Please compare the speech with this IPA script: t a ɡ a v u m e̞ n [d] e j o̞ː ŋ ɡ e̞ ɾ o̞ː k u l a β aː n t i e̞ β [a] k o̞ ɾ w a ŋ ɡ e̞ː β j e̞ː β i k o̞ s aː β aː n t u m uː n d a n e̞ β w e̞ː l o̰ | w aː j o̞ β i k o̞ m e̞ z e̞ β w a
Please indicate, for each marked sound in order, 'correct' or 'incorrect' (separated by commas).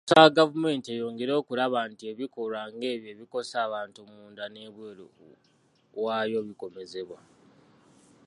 incorrect, incorrect